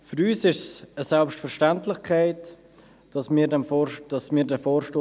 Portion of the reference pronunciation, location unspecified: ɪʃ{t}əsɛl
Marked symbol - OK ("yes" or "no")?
no